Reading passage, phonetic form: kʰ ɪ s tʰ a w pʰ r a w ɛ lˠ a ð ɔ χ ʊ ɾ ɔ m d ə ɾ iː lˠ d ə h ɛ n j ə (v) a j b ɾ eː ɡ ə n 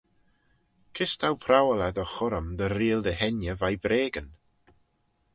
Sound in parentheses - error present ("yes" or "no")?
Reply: no